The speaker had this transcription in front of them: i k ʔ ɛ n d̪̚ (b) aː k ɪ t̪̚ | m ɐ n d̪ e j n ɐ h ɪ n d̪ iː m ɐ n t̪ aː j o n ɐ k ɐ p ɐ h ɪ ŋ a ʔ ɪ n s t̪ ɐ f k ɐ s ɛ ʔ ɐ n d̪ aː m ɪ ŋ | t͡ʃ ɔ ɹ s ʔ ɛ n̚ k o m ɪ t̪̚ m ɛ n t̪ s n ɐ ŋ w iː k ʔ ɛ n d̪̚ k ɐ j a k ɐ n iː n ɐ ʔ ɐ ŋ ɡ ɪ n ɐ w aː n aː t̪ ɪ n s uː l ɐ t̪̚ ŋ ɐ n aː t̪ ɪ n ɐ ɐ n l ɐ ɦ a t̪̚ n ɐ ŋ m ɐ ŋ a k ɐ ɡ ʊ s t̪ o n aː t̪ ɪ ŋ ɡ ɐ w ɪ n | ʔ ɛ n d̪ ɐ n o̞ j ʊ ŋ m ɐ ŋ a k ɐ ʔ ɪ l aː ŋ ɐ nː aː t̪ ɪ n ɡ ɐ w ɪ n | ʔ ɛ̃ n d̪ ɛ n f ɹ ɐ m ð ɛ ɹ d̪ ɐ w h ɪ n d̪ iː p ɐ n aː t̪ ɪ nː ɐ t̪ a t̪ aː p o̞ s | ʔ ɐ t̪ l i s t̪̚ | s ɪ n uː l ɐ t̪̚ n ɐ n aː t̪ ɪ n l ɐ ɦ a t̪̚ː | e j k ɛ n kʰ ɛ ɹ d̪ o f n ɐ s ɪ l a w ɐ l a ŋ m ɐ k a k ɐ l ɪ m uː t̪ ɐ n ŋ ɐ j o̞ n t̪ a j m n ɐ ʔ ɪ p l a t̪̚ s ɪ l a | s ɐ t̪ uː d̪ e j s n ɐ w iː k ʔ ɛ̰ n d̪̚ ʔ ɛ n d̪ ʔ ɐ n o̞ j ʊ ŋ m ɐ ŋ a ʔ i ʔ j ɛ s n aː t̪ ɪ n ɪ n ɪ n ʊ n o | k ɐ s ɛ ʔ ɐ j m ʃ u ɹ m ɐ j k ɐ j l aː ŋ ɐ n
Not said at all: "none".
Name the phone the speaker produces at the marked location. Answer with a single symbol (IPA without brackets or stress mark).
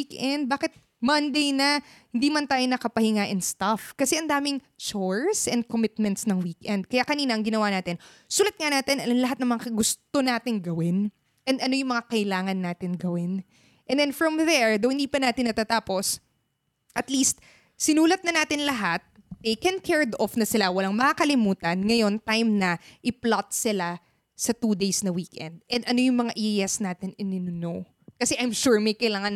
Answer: b